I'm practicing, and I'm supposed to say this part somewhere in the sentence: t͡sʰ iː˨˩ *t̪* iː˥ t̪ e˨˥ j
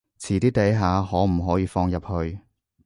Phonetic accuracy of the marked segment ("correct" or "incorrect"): correct